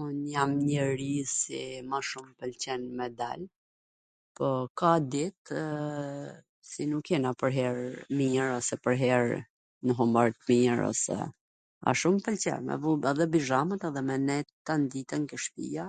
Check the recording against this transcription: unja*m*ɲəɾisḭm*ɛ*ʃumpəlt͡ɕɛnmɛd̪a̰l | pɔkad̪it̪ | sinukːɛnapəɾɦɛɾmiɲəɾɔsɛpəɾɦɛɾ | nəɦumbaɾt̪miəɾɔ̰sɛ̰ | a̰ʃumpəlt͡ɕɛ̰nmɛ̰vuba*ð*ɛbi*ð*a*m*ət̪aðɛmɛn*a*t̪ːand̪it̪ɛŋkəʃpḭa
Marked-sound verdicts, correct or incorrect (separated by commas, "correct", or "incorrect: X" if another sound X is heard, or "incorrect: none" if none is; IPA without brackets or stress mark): correct, incorrect: a, correct, incorrect: ʒ, correct, incorrect: ɛ